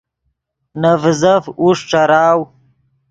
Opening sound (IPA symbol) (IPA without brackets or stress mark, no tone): n